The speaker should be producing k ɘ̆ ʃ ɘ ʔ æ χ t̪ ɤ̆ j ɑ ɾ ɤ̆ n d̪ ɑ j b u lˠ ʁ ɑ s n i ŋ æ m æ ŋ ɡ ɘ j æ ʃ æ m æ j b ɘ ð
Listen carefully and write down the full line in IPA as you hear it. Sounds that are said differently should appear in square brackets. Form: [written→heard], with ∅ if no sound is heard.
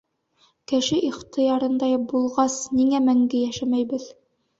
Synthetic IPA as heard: k ɘ̆ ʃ ɘ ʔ [æ→i] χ t̪ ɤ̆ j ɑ ɾ ɤ̆ n d̪ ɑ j b u lˠ ʁ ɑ s n i ŋ æ m æ ŋ ɡ ɘ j æ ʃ æ m æ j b ɘ ð

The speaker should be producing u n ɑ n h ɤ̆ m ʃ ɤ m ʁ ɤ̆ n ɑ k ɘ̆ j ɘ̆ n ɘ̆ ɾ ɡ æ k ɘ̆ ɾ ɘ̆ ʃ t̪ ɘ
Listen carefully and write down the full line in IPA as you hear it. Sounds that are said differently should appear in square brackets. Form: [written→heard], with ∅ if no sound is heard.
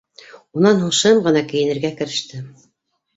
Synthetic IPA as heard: u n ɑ n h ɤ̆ [m→ɴ] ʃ ɤ m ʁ ɤ̆ n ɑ k ɘ̆ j ɘ̆ n ɘ̆ ɾ ɡ æ k ɘ̆ ɾ ɘ̆ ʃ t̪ ɘ

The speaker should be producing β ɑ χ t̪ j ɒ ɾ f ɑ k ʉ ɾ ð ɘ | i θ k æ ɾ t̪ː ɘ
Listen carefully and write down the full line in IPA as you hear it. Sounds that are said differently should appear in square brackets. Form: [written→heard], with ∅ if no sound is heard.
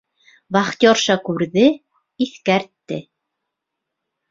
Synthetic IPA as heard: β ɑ χ t̪ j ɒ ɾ [f→ʃ] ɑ k ʉ ɾ ð ɘ | i θ k æ ɾ t̪ː ɘ

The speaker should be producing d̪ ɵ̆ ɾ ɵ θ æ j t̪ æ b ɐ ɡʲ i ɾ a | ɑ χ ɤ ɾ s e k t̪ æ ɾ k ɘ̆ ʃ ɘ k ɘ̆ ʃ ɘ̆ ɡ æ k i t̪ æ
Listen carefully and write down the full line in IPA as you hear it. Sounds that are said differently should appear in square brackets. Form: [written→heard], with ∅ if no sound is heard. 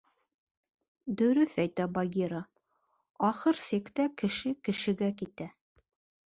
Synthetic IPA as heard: d̪ ɵ̆ ɾ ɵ θ æ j t̪ æ b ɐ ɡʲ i ɾ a | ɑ χ ɤ ɾ s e k t̪ æ [ɾ→∅] k ɘ̆ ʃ ɘ k ɘ̆ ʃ ɘ̆ ɡ æ k i t̪ æ

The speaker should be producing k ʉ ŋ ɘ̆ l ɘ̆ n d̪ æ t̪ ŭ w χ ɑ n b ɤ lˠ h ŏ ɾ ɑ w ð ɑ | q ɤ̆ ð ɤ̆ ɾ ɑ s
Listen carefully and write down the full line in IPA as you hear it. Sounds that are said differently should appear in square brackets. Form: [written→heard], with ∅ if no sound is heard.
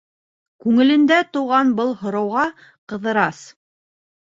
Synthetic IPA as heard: k ʉ ŋ ɘ̆ l ɘ̆ n d̪ æ t̪ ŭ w [χ→ʁ] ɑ n b ɤ lˠ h ŏ ɾ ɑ w [ð→ʁ] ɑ | q ɤ̆ ð ɤ̆ ɾ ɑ s

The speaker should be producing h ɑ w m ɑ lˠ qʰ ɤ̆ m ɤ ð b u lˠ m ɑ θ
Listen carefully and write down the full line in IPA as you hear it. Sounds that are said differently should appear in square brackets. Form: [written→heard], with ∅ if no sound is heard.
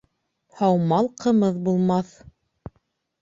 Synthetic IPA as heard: h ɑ w m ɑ lˠ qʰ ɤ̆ m ɤ ð b u lˠ m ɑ θ

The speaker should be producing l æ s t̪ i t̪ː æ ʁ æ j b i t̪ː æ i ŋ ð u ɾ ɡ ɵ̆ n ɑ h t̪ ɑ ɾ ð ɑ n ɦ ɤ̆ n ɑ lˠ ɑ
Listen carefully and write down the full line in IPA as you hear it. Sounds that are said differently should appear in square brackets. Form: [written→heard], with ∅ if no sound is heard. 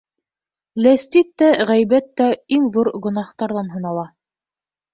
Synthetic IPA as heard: l æ s t̪ i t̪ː æ ʁ æ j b [i→æ] t̪ː æ i ŋ ð u ɾ ɡ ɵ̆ n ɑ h t̪ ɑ ɾ ð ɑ n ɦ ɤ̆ n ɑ lˠ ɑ

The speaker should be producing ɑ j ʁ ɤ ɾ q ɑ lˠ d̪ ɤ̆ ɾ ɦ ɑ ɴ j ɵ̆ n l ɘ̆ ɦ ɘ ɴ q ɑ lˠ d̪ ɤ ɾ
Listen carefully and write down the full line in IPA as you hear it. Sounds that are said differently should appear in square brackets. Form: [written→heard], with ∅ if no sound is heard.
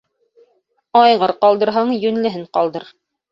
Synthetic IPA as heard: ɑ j ʁ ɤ ɾ q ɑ lˠ d̪ ɤ̆ ɾ ɦ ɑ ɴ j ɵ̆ n l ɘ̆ ɦ ɘ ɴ q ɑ lˠ d̪ ɤ ɾ

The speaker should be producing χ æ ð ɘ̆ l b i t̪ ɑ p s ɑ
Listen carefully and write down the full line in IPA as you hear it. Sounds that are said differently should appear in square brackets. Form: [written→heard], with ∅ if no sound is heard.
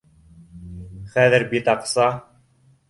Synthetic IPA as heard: χ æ ð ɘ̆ [l→ɾ] b i t̪ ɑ [p→q] s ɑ

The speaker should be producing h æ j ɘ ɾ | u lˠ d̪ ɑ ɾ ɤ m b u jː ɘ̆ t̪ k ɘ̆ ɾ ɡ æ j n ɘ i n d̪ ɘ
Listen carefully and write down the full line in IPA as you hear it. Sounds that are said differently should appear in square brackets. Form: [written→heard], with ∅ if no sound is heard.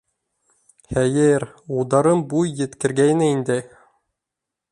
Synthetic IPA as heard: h æ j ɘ ɾ | u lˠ d̪ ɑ ɾ ɤ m b u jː ɘ̆ t̪ k ɘ̆ ɾ ɡ æ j n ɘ i n d̪ ɘ

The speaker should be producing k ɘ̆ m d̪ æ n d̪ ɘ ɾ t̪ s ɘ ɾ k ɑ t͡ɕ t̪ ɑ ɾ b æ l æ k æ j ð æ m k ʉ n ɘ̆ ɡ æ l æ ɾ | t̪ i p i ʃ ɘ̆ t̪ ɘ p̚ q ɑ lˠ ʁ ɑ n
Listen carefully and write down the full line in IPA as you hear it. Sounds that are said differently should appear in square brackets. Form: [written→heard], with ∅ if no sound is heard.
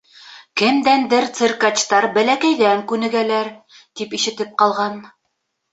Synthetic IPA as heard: k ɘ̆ m d̪ æ n d̪ ɘ ɾ t̪ s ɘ ɾ k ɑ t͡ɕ t̪ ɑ ɾ b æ l æ k æ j ð æ [m→ŋ] k ʉ n ɘ̆ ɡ æ l æ ɾ | t̪ i p i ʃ ɘ̆ t̪ ɘ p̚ q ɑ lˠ ʁ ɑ n

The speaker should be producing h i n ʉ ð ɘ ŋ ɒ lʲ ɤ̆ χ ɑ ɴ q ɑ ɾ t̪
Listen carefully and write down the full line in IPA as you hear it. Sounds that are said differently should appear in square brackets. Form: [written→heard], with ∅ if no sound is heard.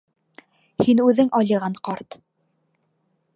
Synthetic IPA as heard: h i n ʉ ð ɘ ŋ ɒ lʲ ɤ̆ [χ→ʁ] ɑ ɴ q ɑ ɾ t̪

